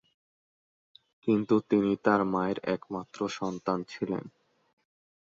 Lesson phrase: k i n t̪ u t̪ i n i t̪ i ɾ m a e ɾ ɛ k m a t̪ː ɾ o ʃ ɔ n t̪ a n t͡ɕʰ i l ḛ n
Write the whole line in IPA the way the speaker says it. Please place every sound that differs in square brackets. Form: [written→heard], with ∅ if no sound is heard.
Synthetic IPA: k i n t̪ u t̪ i n i t̪ [i→a] ɾ m a e ɾ ɛ k m a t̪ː ɾ o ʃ ɔ n t̪ a n t͡ɕʰ i l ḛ n